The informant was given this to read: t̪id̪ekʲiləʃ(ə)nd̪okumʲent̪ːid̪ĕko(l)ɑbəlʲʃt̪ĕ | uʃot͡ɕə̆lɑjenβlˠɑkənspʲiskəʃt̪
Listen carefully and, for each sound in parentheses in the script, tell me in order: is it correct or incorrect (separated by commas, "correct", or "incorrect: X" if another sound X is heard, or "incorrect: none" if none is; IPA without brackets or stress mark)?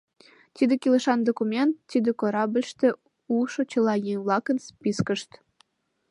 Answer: incorrect: ɑ, incorrect: ɾ